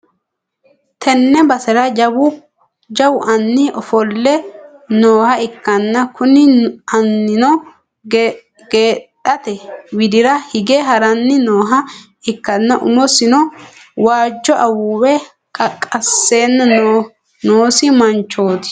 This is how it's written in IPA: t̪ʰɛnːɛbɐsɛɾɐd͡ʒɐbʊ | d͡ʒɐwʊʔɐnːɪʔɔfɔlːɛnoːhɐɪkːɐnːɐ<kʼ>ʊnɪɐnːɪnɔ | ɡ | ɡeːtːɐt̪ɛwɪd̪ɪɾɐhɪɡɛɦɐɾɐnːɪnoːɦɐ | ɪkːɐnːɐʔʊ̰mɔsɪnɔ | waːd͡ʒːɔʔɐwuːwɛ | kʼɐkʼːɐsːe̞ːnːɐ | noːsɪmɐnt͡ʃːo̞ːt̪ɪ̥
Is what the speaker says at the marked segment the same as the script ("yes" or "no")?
no